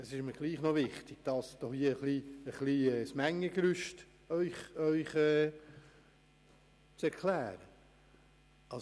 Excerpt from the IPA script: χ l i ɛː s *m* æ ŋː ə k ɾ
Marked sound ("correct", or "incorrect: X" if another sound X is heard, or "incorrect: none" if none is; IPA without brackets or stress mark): correct